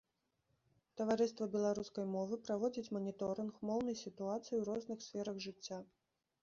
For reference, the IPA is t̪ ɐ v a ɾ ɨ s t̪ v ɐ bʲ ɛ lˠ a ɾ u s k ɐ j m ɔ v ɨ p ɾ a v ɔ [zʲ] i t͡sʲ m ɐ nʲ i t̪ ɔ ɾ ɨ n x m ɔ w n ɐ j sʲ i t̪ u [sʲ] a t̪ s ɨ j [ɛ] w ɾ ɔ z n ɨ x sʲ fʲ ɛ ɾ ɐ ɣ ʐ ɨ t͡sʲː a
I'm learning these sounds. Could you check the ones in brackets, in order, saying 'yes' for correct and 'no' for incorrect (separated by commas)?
no, no, no